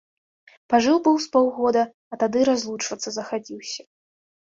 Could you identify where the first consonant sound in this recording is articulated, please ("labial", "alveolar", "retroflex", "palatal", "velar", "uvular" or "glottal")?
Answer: labial